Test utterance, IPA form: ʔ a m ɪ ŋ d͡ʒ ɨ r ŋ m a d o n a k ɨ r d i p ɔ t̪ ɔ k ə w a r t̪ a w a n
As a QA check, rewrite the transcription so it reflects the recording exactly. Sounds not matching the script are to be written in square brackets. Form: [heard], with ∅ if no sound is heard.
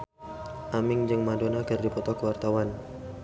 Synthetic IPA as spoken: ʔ a m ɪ ŋ d͡ʒ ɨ [∅] ŋ m a d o n a k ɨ r d i p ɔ t̪ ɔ k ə w a r t̪ a w a n